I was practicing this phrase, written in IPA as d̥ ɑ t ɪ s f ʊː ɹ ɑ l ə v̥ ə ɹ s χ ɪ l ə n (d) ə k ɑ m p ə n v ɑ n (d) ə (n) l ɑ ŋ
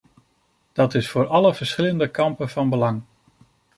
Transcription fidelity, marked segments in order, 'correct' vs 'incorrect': correct, incorrect: b, incorrect: none

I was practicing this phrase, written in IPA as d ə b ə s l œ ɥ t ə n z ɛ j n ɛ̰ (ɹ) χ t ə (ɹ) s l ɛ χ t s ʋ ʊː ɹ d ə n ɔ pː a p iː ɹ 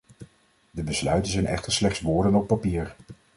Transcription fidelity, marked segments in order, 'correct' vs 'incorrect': incorrect: none, correct

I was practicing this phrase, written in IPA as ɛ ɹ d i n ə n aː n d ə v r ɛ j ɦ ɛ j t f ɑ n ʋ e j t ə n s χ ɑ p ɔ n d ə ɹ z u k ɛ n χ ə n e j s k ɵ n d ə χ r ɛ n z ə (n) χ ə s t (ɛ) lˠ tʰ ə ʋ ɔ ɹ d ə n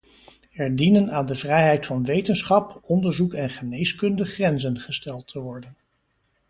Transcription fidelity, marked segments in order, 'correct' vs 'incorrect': correct, correct

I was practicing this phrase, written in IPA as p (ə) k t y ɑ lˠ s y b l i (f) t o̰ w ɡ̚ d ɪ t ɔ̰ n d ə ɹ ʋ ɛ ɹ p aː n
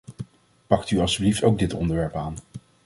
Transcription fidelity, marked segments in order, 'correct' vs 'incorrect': incorrect: ɑ, correct

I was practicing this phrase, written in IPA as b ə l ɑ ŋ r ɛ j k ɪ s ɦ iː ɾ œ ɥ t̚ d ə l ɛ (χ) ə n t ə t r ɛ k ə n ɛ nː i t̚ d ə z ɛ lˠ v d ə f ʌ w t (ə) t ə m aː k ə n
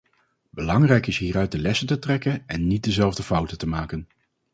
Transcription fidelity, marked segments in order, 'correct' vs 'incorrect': incorrect: s, correct

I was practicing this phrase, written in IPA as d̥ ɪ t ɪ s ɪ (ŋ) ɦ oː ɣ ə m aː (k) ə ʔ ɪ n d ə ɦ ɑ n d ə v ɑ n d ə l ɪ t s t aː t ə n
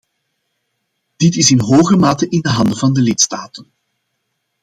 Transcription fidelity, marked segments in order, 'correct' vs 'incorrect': incorrect: n, incorrect: t

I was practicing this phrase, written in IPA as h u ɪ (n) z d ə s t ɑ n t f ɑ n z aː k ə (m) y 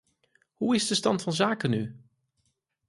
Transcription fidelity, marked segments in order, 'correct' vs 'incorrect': incorrect: none, incorrect: n

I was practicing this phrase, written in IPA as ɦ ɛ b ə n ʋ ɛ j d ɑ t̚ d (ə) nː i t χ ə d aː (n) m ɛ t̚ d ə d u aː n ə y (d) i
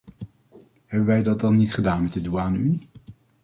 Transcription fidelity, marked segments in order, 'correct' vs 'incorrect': incorrect: ɑ, correct, incorrect: n

